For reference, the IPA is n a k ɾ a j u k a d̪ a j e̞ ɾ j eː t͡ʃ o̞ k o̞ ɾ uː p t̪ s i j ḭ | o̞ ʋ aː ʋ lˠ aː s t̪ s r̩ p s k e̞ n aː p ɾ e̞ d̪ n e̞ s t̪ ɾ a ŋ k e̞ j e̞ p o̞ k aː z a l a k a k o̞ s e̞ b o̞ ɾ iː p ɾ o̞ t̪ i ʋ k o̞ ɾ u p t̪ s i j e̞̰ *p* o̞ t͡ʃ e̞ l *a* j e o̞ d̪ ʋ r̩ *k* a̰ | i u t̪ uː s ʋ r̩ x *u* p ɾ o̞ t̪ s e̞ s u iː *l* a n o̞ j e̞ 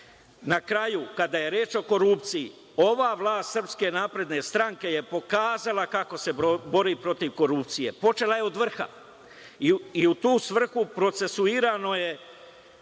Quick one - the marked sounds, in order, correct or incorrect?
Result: correct, correct, incorrect: x, correct, incorrect: ɾ

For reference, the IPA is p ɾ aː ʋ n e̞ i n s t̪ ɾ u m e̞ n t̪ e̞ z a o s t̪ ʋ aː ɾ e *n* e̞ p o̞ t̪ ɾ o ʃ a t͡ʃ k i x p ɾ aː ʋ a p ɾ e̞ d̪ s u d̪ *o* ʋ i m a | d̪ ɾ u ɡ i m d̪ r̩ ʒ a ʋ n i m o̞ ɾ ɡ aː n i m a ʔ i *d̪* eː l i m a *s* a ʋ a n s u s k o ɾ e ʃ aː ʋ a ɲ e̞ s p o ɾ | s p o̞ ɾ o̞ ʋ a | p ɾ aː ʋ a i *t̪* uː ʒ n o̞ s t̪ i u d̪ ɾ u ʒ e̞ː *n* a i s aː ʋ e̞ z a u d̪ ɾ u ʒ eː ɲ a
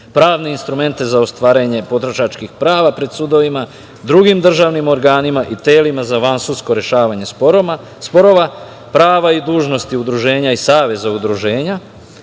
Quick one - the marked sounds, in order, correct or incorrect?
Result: incorrect: ɲ, correct, incorrect: t̪, incorrect: z, incorrect: d̪, incorrect: ɲ

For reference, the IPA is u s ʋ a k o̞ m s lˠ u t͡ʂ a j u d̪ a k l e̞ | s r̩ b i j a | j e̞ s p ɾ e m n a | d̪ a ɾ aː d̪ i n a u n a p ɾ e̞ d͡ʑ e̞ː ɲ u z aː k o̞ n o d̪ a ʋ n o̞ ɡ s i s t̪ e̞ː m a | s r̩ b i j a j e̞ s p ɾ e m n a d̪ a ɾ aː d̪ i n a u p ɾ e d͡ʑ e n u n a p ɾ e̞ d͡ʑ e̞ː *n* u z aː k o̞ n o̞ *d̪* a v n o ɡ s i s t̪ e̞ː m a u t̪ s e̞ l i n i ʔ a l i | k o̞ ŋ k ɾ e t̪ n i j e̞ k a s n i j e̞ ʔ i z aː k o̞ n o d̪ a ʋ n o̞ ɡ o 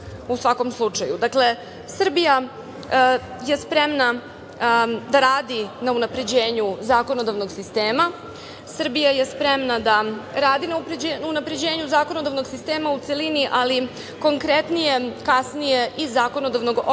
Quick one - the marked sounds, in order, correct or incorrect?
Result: incorrect: ɲ, correct

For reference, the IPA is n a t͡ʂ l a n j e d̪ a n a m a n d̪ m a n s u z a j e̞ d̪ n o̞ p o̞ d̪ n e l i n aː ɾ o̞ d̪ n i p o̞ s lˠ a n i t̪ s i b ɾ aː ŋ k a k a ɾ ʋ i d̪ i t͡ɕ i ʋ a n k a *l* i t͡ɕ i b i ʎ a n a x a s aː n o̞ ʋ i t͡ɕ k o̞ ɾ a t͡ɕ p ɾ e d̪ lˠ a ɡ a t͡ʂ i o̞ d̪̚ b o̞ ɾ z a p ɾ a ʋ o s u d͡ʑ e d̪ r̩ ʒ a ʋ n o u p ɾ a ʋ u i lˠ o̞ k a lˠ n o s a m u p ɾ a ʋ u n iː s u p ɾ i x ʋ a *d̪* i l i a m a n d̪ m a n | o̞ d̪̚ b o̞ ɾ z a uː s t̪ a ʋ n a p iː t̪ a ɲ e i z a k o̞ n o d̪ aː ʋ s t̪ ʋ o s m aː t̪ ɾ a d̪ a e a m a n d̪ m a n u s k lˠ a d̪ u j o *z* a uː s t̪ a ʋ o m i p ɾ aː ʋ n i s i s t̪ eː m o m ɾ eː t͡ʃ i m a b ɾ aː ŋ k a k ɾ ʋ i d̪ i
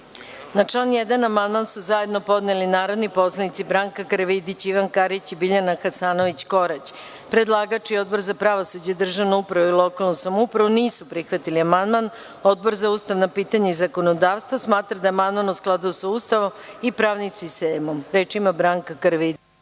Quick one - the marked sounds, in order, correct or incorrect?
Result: incorrect: ɾ, incorrect: t̪, incorrect: s

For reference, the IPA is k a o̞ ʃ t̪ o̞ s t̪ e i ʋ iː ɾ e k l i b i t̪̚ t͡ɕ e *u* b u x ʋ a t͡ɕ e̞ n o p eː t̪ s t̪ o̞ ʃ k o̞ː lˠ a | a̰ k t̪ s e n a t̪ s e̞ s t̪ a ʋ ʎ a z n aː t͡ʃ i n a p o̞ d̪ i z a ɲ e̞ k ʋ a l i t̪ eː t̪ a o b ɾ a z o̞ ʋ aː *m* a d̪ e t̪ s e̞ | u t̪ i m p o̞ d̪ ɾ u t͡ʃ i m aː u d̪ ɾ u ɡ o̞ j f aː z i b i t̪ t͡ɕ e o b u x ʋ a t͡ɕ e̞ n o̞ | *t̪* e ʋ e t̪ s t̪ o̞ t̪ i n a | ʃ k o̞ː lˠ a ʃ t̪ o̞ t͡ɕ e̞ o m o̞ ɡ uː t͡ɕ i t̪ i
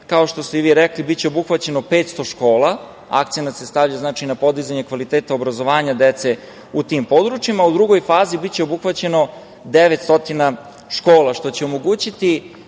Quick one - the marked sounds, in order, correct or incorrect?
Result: incorrect: o, incorrect: ɲ, incorrect: d̪

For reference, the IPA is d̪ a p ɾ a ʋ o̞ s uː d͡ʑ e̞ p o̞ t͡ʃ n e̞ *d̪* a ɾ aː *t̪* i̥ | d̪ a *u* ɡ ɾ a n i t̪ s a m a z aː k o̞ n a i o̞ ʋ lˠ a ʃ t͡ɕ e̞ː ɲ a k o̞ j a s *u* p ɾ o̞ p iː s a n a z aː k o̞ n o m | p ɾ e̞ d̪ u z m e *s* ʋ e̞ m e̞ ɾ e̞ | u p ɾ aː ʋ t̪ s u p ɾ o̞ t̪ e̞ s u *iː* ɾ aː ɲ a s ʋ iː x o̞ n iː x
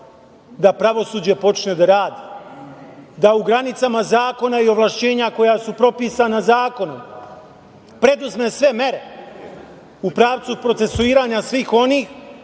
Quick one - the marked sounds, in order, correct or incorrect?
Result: correct, incorrect: d̪, correct, correct, correct, correct

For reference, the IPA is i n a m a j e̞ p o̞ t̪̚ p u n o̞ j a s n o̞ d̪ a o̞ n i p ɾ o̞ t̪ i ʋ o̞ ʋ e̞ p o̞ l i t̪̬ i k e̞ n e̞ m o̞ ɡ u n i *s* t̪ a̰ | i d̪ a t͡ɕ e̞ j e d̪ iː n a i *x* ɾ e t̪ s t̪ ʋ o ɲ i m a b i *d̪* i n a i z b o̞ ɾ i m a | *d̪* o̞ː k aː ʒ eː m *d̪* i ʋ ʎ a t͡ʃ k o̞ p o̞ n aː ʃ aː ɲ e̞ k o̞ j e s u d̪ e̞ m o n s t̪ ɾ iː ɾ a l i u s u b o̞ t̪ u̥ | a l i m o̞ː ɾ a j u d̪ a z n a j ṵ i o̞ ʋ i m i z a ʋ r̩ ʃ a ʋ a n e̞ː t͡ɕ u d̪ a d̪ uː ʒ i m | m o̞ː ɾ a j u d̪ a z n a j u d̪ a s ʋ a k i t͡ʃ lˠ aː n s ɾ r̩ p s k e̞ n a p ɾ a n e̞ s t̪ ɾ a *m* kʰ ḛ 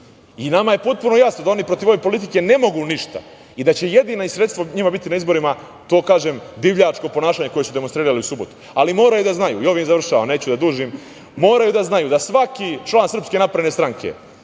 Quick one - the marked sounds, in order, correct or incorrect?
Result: incorrect: ʃ, incorrect: s, incorrect: t̪, incorrect: t̪, correct, incorrect: ŋ

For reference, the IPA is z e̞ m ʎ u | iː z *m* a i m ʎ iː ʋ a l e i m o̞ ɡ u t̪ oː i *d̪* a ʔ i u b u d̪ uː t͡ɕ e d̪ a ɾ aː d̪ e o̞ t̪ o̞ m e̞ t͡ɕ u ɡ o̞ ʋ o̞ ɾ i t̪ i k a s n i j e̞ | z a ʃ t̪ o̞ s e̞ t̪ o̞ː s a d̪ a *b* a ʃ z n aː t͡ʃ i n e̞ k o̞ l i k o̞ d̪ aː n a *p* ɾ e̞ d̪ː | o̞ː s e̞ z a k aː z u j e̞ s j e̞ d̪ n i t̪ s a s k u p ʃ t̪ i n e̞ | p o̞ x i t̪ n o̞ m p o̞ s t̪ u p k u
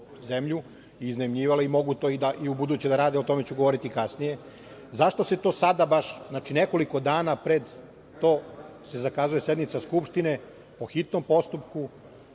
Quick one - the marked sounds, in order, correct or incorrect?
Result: incorrect: n, correct, correct, correct

